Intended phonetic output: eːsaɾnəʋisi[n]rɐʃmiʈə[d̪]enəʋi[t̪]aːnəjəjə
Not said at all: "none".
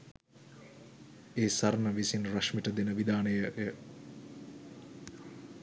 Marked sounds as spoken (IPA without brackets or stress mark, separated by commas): n, d̪, d̪